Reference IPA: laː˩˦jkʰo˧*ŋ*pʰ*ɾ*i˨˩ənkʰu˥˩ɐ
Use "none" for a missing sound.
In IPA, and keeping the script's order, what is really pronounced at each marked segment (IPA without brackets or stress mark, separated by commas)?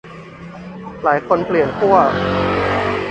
n, l